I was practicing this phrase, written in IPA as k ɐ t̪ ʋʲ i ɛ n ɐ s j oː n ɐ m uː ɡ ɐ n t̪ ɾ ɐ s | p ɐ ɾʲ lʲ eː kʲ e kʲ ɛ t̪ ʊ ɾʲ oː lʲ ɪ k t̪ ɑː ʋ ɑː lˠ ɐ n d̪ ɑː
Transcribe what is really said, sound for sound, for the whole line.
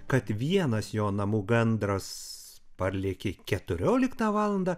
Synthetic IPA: k ɐ t̪ ʋʲ i ɛ n ɐ s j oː n ɐ m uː ɡ ɐ n d̪ ɾ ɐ s | p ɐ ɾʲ lʲ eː kʲ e kʲ ɛ t̪ ʊ ɾʲ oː lʲ ɪ k t̪ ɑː ʋ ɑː lˠ ɐ n d̪ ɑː